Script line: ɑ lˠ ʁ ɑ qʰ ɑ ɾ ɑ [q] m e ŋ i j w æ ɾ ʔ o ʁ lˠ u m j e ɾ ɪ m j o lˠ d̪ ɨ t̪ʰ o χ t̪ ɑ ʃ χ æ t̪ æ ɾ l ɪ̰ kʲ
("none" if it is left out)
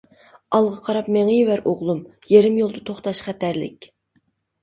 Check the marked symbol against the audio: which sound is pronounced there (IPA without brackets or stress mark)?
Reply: p